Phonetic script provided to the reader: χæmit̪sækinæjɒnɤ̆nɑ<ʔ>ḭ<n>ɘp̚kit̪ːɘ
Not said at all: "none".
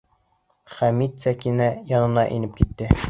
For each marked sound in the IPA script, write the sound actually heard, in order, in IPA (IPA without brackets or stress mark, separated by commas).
ʔ, n